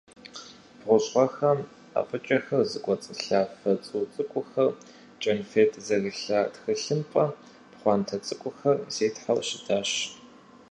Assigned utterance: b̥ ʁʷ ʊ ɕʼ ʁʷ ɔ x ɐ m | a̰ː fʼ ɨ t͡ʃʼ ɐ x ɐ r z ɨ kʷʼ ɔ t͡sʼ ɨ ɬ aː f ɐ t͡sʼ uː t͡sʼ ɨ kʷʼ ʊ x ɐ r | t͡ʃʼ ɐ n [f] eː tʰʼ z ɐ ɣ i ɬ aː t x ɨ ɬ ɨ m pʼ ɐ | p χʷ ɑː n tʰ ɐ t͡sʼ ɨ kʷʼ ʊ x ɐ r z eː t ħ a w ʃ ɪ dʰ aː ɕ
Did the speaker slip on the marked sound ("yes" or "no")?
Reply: no